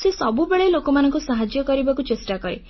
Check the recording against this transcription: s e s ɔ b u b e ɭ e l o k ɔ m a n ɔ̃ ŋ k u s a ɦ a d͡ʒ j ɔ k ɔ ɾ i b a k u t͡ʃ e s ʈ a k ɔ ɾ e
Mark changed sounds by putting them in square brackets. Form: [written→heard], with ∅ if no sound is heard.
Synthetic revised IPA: s e s ɔ b u b e ɭ e l o k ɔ m a n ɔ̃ ŋ k u s a ɦ a d͡ʒ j ɔ k ɔ ɾ i b a k u t͡ʃ e s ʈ a k ɔ ɾ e

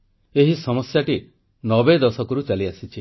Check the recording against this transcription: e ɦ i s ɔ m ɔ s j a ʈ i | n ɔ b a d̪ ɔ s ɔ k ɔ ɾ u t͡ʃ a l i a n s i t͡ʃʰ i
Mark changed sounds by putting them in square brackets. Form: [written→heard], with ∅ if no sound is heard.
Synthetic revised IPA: e ɦ i s ɔ m ɔ s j a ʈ i | n ɔ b [a→e] d̪ ɔ s ɔ k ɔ ɾ u t͡ʃ a l i a [n→∅] s i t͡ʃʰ i

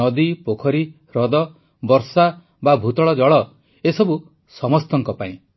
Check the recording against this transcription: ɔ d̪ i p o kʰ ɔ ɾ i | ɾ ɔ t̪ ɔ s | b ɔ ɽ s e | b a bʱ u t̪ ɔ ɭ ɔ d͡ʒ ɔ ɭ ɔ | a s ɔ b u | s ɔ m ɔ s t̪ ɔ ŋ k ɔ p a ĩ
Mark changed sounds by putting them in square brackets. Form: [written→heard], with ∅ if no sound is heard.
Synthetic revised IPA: ɔ d̪ i p o kʰ ɔ ɾ i | ɾ ɔ [t̪→d̪] ɔ [s→∅] | b ɔ [ɽ→ɾ] s [e→a] | b a bʱ u t̪ ɔ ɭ ɔ d͡ʒ ɔ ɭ ɔ | [a→e] s ɔ b u | s ɔ m ɔ s t̪ ɔ ŋ k ɔ p a ĩ

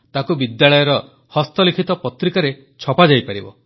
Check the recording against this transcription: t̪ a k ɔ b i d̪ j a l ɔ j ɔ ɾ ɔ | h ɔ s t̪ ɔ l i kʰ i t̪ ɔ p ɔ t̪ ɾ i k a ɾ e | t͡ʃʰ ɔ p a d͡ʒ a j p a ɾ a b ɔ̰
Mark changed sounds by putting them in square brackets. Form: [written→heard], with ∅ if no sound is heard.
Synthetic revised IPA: t̪ a k [ɔ→u] b i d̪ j a [l→ɭ] ɔ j ɔ ɾ ɔ | h ɔ s t̪ ɔ l i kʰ i t̪ ɔ p ɔ t̪ ɾ i k a ɾ e | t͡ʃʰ ɔ p a d͡ʒ a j p a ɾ [a→i] b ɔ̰

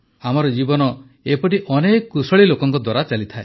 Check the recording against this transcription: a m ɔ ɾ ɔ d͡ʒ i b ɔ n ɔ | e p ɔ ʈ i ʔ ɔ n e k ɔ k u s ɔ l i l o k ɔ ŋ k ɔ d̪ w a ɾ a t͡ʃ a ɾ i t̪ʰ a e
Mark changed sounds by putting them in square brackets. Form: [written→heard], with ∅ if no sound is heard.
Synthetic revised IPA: a m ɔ ɾ ɔ d͡ʒ i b ɔ n ɔ | e p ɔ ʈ i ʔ ɔ n e k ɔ k u s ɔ [l→ɭ] i l o k ɔ ŋ k ɔ d̪ w a ɾ a t͡ʃ a [ɾ→l] i t̪ʰ a e

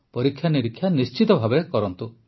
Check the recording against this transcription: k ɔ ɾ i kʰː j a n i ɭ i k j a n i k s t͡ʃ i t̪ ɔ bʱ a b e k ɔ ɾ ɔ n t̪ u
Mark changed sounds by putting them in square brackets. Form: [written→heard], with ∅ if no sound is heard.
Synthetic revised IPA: [k→p] ɔ ɾ i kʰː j a n i [ɭ→ɾ] i [k→kʰ] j a n i [k→∅] s t͡ʃ i t̪ ɔ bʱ a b e k ɔ ɾ ɔ n t̪ u

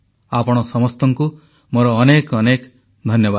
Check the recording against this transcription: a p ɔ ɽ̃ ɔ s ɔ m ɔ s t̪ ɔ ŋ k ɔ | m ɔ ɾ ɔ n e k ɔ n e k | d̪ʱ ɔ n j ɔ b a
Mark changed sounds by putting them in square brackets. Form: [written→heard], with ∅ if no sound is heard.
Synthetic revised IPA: a p ɔ ɽ̃ ɔ s ɔ m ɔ s t̪ ɔ ŋ k [ɔ→u] | m [ɔ→o] ɾ [ɔ→ɔː] n e k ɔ n e k | d̪ʱ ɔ n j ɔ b a

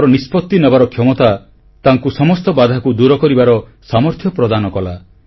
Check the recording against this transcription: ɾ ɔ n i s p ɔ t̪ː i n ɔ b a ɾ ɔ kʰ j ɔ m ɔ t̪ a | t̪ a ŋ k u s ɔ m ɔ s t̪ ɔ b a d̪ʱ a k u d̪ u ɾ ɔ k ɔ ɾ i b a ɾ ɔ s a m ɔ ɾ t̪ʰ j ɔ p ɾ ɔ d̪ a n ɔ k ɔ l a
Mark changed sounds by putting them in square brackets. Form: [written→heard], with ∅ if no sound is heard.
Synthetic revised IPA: ɾ ɔ n i s p ɔ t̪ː i n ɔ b a ɾ ɔ kʰ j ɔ m ɔ t̪ a | t̪ a ŋ k u s ɔ m ɔ s t̪ ɔ b a d̪ʱ a k u d̪ u ɾ ɔ k ɔ ɾ i b a ɾ ɔ s a m ɔ ɾ t̪ʰ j ɔ p ɾ ɔ d̪ a n ɔ k ɔ l a

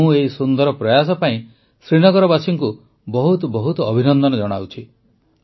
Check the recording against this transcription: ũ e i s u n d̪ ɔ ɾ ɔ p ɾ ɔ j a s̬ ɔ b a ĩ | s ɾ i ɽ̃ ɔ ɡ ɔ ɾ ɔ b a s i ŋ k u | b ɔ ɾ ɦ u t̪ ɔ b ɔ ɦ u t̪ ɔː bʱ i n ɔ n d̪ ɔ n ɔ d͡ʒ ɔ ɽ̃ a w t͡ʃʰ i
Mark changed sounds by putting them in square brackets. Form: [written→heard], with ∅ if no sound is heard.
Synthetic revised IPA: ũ e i s u n d̪ ɔ ɾ ɔ p ɾ ɔ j a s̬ ɔ [b→p] a ĩ | s ɾ i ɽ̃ ɔ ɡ ɔ ɾ ɔ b a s i ŋ k u | b ɔ [ɾ→∅] ɦ u t̪ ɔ b ɔ ɦ u t̪ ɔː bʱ i n ɔ n d̪ ɔ n ɔ d͡ʒ ɔ ɽ̃ a w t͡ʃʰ i

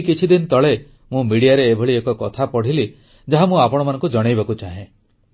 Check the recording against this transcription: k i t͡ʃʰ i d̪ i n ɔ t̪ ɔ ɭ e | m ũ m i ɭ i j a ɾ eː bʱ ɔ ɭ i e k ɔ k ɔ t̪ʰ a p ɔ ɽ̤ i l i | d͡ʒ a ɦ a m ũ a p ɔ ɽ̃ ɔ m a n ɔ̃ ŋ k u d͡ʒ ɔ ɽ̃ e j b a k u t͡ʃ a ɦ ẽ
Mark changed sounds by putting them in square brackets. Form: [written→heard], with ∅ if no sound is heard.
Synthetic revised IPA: k i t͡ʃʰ i d̪ i n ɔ t̪ ɔ ɭ e | m ũ m i [ɭ→ɽ] i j a ɾ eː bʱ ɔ ɭ i e k ɔ k ɔ t̪ʰ a p ɔ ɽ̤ i l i | d͡ʒ a ɦ a m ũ a p ɔ ɽ̃ ɔ m a n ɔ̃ ŋ k u d͡ʒ ɔ ɽ̃ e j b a k u t͡ʃ a ɦ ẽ

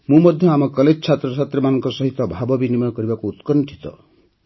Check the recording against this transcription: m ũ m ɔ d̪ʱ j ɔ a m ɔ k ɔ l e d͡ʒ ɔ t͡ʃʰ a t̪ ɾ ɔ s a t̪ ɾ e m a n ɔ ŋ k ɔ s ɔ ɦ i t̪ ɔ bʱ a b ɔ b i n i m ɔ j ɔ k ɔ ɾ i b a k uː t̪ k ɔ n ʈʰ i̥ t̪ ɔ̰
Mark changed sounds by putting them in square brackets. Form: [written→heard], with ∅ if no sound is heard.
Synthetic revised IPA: m ũ m ɔ d̪ʱ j ɔ a m ɔ k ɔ l e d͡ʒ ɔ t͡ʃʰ a t̪ ɾ ɔ s a t̪ ɾ e m a n ɔ ŋ k ɔ s ɔ ɦ i t̪ ɔ bʱ a b ɔ b i n i m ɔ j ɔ k ɔ ɾ i b a k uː t̪ k ɔ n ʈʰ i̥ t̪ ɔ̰

